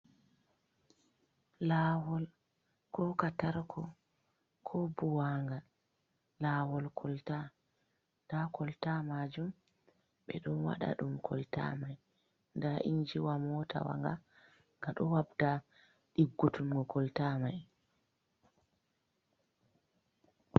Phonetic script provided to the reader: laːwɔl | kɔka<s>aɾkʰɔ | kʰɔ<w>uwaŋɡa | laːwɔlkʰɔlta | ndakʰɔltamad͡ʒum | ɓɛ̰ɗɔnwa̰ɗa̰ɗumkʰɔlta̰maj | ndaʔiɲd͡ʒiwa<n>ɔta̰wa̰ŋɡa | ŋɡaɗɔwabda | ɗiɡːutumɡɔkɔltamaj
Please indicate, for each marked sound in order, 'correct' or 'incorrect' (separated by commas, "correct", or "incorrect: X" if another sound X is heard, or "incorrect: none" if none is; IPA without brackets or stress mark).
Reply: incorrect: t, incorrect: b, incorrect: m